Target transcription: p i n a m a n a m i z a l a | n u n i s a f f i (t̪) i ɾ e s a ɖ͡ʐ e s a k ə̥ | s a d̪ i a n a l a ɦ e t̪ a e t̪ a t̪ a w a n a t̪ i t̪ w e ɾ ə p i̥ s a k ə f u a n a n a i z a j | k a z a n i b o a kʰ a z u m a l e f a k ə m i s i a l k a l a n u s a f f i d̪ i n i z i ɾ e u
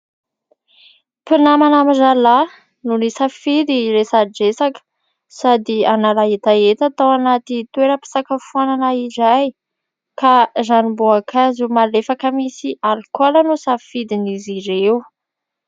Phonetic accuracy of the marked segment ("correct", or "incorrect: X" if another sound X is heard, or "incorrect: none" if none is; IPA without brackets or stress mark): incorrect: d̪